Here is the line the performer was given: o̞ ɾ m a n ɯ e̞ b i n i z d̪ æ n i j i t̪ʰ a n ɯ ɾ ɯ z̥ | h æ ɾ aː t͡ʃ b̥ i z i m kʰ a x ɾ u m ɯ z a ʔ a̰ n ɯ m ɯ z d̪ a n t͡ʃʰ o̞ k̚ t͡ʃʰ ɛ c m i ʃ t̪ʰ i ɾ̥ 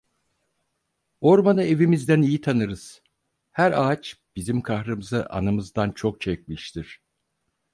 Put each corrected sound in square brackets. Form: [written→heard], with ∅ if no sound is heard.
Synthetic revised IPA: o̞ ɾ m a n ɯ e̞ [b→v] i [n→m] i z d̪ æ n i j i t̪ʰ a n ɯ ɾ ɯ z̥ | h æ ɾ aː t͡ʃ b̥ i z i m kʰ a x ɾ [u→ɯ] m ɯ z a ʔ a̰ n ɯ m ɯ z d̪ a n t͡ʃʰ o̞ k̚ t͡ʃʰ ɛ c m i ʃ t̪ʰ i ɾ̥

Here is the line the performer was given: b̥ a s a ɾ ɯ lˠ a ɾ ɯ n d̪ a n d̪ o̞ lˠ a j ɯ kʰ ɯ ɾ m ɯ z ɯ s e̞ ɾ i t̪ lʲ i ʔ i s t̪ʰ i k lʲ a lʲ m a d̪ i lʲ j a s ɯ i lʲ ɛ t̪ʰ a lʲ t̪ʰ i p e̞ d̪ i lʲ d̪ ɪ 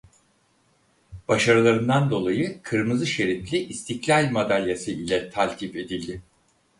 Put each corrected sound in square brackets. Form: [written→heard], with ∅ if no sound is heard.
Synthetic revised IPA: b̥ a [s→ʃ] a ɾ ɯ lˠ a ɾ ɯ n d̪ a n d̪ o̞ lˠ a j ɯ kʰ ɯ ɾ m ɯ z ɯ [s→ʃ] e̞ ɾ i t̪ lʲ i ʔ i s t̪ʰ i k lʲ a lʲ m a d̪ [i→a] lʲ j a s ɯ i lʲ ɛ t̪ʰ a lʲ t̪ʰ i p e̞ d̪ i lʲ d̪ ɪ

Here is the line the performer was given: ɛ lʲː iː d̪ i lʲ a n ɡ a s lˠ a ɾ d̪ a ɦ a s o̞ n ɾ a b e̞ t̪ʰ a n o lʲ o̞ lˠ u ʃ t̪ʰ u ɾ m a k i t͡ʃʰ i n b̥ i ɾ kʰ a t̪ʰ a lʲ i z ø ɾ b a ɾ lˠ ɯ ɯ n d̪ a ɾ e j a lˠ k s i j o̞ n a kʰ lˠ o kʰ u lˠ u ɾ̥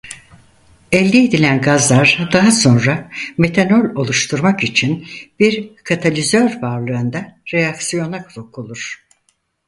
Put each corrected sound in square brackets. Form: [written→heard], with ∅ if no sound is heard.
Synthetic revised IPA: ɛ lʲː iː d̪ i lʲ [a→æ] n ɡ a [s→z] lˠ a ɾ d̪ a ɦ a s o̞ n ɾ a [b→m] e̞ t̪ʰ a n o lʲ o̞ lˠ u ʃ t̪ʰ u ɾ m a k i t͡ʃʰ i n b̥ i ɾ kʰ a t̪ʰ a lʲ i z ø ɾ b a ɾ lˠ ɯ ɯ n d̪ a ɾ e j a [lˠ→∅] k s i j o̞ n a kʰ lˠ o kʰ u lˠ u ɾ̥

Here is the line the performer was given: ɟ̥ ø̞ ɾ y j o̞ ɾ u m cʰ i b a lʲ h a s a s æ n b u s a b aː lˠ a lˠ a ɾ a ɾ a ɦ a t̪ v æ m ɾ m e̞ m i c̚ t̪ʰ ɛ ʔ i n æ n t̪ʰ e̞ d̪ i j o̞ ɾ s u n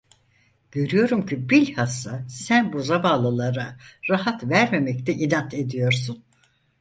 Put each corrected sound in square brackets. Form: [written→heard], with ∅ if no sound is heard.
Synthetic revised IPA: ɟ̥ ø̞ ɾ y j o̞ ɾ u m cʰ i b [a→i] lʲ h a s a s æ n b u [s→z] a b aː lˠ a lˠ a ɾ a ɾ a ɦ a t̪ v æ [m→∅] ɾ m e̞ m [i→ɛ] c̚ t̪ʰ ɛ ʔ i n [æ→a] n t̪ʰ e̞ d̪ i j o̞ ɾ s u n

